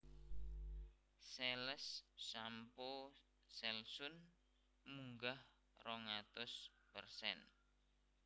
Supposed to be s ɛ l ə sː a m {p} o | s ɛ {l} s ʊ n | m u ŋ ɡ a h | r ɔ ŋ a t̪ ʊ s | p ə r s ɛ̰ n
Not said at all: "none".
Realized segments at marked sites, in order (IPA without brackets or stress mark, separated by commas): p, l